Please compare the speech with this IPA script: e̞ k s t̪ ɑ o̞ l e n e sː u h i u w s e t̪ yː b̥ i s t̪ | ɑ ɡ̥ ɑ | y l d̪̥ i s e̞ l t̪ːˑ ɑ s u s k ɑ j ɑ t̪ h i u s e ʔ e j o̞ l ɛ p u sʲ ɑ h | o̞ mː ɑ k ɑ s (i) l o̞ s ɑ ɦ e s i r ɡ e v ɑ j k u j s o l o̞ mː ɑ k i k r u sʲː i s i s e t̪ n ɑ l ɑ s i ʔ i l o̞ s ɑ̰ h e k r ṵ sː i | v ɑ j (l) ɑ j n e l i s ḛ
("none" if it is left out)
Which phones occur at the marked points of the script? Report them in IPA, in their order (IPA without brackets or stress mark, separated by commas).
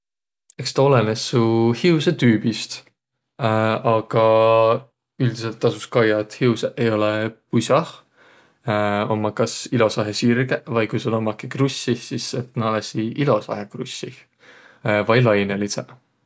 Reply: i, l